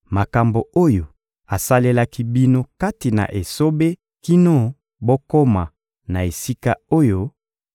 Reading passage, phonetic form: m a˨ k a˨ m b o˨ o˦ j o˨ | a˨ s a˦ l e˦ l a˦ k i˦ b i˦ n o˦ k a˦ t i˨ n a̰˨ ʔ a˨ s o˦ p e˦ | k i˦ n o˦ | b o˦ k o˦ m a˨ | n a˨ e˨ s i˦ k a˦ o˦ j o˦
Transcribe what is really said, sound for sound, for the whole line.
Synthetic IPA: m a˨ k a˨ m b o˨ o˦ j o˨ | a˨ s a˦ l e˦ l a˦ k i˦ b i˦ n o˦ k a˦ t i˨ n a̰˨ ʔ e˨ s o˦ b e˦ | k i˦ n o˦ | b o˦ k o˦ m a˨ | n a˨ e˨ s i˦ k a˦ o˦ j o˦